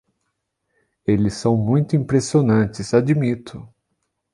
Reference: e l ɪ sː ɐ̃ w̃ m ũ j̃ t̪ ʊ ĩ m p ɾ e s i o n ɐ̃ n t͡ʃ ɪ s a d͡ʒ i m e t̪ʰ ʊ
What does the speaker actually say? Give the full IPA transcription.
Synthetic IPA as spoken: e l ɪ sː ɐ̃ w̃ m ũ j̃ t̪ ʊ ĩ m p ɾ e s i o n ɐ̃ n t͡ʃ ɪ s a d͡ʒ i m i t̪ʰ ʊ